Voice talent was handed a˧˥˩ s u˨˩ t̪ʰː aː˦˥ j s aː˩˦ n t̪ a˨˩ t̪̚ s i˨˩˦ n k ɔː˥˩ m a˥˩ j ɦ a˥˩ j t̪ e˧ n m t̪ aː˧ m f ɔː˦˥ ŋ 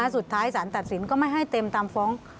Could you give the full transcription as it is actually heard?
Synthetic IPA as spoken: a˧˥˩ s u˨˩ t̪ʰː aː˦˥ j s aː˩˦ n t̪ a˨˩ t̪̚ s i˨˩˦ n k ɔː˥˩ m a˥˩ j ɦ a˥˩ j t̪ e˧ m t̪ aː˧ m f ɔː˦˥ ŋ